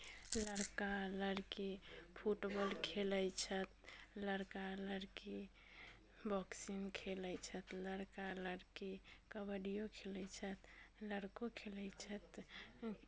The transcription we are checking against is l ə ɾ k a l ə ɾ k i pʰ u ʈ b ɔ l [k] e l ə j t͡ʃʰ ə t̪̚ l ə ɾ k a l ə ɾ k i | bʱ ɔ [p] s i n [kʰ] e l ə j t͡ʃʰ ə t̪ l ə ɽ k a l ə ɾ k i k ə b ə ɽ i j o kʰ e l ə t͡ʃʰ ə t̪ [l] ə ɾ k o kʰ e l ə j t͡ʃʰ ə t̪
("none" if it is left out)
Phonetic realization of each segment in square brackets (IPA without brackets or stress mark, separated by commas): kʰ, k, kʰ, l